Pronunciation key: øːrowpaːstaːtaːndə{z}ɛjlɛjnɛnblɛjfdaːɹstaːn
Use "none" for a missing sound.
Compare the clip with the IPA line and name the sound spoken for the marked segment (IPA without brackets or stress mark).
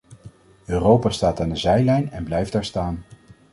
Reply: z